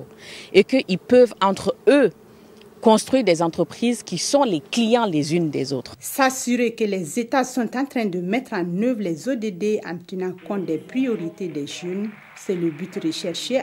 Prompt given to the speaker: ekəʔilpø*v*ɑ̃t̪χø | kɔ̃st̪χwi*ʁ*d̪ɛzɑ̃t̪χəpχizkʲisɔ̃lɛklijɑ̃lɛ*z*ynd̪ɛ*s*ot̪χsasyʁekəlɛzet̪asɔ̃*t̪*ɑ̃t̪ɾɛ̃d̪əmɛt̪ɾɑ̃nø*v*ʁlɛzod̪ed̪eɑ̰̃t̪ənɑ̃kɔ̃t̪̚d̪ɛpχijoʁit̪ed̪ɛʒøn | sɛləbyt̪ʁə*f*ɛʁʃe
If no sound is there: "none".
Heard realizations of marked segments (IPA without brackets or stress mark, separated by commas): v, ʁ, z, z, t̪, v, ʃ